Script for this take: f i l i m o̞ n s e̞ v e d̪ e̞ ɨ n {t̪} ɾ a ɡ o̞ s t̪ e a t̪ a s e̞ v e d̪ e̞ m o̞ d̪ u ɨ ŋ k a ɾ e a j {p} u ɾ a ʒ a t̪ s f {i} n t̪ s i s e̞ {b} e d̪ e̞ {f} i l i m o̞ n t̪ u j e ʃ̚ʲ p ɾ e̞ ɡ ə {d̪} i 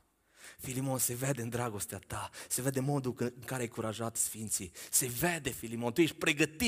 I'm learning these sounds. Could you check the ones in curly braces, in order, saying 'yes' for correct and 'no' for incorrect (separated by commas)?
no, no, yes, no, yes, no